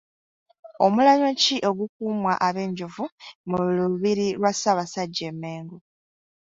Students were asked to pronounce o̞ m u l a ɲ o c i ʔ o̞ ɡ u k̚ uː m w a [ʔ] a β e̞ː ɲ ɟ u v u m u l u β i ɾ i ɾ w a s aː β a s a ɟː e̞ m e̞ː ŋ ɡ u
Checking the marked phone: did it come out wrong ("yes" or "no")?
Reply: no